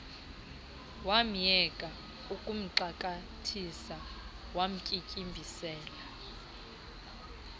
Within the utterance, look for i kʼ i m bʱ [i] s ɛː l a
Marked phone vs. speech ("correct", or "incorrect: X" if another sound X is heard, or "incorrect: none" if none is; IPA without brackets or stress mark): correct